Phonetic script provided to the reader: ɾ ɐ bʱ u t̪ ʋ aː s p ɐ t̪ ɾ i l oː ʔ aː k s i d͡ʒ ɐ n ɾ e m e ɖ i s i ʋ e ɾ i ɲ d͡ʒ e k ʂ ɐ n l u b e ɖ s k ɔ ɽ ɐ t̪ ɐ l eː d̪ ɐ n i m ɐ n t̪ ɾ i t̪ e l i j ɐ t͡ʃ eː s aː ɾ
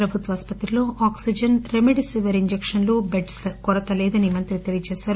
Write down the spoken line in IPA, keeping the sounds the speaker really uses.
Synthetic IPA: ɾ ɐ bʱ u t̪ ʋ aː s p ɐ t̪ ɾ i l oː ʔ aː k s i d͡ʒ ɐ n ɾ e m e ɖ i s i ʋ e ɾ i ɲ d͡ʒ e k ʂ ɐ n l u b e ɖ s k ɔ ɾ ɐ t̪ ɐ l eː d̪ ɐ n i m ɐ n t̪ ɾ i t̪ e l i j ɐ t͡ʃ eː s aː ɾ

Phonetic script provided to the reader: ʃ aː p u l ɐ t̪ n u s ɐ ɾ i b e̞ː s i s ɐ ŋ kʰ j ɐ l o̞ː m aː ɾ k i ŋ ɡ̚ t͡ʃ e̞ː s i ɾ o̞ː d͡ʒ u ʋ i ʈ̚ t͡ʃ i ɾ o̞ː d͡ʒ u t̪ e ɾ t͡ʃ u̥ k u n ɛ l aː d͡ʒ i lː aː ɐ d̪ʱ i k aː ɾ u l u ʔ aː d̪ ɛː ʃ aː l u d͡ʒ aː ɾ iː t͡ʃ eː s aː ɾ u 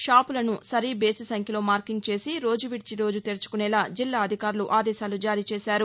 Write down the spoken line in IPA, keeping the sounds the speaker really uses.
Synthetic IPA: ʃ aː p u l ɐ n u s ɐ ɾ i b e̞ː s i s ɐ ŋ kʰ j ɐ l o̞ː m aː ɾ k i ŋ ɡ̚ t͡ʃ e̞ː s i ɾ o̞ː d͡ʒ u ʋ i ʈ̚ t͡ʃ i ɾ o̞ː d͡ʒ u t̪ e ɾ t͡ʃ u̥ k u n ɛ l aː d͡ʒ i lː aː ɐ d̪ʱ i k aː ɾ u l u ʔ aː d̪ ɛː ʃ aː l u d͡ʒ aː ɾ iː t͡ʃ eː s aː ɾ u

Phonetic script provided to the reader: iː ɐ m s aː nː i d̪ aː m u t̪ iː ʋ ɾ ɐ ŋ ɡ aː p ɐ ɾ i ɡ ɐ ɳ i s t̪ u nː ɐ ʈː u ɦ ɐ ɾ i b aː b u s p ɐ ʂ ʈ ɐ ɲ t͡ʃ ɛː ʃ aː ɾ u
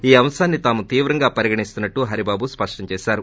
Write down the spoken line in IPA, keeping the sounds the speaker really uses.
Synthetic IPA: iː ɐ m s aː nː i t̪ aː m u t̪ iː ʋ ɾ ɐ ŋ ɡ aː p ɐ ɾ i ɡ ɐ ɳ i s t̪ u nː ɐ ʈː u ɦ ɐ ɾ i b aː b u s p ɐ ʂ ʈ ɐ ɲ t͡ʃ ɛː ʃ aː ɾ u

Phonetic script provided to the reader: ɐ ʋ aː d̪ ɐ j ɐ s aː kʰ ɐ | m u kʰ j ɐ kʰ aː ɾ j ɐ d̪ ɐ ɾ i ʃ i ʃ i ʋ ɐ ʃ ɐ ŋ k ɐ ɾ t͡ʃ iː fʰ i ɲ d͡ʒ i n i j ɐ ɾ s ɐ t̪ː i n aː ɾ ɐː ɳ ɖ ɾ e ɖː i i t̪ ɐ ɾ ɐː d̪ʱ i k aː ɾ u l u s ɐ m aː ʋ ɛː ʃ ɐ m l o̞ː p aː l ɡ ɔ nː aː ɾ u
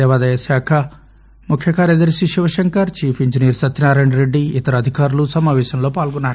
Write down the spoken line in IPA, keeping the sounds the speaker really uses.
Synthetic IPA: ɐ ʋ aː d̪ ɐ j ɐ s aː kʰ ɐ | m u kʰ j ɐ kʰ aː ɾ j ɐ d̪ ɐ ɾ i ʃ i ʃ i ʋ ɐ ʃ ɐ ŋ k ɐ ɾ t͡ʃ iː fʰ i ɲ d͡ʒ i n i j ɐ ɾ s ɐ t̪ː i n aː ɾ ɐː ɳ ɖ ɾ e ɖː i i t̪ ɐ ɾ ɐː d̪ʱ i k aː ɾ u l u s ɐ m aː ʋ ɛː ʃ ɐ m l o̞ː p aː l ɡ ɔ nː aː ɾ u

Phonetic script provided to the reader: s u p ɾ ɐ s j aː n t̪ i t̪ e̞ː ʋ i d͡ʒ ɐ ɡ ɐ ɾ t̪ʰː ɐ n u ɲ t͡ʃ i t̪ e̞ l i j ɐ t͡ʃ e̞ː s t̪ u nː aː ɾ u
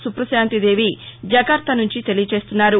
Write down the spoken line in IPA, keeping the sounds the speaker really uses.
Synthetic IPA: s u p ɾ ɐ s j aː n t̪ i d̪ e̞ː ʋ i d͡ʒ ɐ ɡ ɐ ɾ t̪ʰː ɐ n u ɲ t͡ʃ i t̪ e̞ l i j ɐ t͡ʃ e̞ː s t̪ u nː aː ɾ u

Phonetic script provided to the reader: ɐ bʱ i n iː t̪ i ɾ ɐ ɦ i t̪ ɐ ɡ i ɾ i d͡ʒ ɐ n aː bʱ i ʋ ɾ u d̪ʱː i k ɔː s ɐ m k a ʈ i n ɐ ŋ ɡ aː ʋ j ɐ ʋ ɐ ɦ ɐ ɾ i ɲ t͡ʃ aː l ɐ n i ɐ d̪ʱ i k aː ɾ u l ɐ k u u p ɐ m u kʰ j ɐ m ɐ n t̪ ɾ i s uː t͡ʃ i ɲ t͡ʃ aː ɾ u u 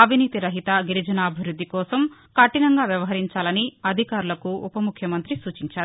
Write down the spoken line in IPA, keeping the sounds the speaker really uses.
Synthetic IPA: ɐ bʱ i n iː t̪ i ɾ ɐ ɦ i t̪ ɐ ɡ i ɾ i d͡ʒ ɐ n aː bʱ i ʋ ɾ u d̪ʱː i k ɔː s ɐ m k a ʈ i n ɐ ŋ ɡ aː ʋ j ɐ ʋ ɐ ɦ ɐ ɾ i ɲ t͡ʃ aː l ɐ n i ɐ d̪ʱ i k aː ɾ u l ɐ k u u p ɐ m u kʰ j ɐ m ɐ n t̪ ɾ i s uː t͡ʃ i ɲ t͡ʃ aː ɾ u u

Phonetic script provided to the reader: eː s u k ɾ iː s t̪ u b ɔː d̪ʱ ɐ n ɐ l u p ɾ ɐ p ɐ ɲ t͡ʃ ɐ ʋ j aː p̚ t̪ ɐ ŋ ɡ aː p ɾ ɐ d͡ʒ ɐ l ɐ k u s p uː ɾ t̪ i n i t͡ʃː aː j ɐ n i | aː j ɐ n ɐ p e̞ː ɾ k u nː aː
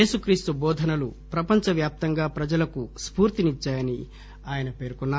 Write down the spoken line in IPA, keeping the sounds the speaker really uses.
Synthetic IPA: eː s u k ɾ iː s t̪ u b ɔː d̪ʱ ɐ n ɐ l u p ɾ ɐ p ɐ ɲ t͡ʃ ɐ ʋ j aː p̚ t̪ ɐ ŋ ɡ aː p ɾ ɐ d͡ʒ ɐ l ɐ k u s p uː ɾ t̪ i n i t͡ʃː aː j ɐ n i | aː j ɐ n ɐ p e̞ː ɾ k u nː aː

